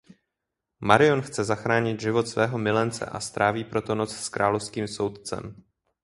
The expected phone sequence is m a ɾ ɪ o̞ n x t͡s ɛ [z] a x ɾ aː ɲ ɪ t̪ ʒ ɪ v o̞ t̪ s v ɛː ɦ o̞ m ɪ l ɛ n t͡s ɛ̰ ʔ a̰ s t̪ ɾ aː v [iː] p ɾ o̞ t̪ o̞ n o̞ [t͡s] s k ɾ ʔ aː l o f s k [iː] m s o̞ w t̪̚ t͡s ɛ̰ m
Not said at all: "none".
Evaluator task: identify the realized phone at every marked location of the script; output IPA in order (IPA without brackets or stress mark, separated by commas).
z, iː, t͡s, iː